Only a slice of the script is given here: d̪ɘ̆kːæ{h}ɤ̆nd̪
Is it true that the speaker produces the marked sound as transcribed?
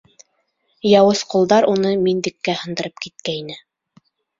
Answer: yes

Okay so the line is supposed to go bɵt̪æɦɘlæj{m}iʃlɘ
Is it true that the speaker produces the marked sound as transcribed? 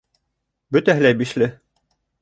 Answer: no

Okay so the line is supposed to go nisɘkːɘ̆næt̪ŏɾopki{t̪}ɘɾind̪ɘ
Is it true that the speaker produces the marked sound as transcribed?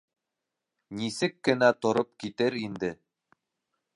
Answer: yes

